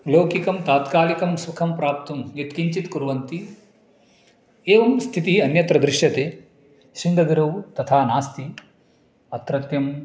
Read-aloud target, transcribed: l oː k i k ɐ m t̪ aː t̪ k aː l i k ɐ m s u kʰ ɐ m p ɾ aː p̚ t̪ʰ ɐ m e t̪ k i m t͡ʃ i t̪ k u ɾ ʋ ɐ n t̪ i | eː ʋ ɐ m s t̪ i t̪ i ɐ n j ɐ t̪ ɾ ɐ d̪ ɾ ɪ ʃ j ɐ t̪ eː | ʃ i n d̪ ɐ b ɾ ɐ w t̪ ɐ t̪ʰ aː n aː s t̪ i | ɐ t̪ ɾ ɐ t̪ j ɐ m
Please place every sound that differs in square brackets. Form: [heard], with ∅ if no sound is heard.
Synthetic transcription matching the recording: l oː k i k ɐ m t̪ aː t̪ k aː l i k ɐ m s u kʰ ɐ m p ɾ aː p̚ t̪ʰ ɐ m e t̪ k i [ɲ] t͡ʃ i t̪ k u ɾ ʋ ɐ n t̪ i | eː ʋ ɐ m s [t̪ʰ] i t̪ i ɐ n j ɐ t̪ ɾ ɐ d̪ ɾ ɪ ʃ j ɐ t̪ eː | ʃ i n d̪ ɐ [ɡ] ɾ ɐ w t̪ ɐ t̪ʰ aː n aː s t̪ i | ɐ t̪ ɾ ɐ t̪ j ɐ m